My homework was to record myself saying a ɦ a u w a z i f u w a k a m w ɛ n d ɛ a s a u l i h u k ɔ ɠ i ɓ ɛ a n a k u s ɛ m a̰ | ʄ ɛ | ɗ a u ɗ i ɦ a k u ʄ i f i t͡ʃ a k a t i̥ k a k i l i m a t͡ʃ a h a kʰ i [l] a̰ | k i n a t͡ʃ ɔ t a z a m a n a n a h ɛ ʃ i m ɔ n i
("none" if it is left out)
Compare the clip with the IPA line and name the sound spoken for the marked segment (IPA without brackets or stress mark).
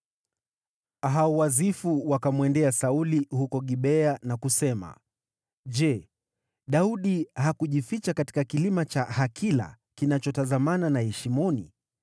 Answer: l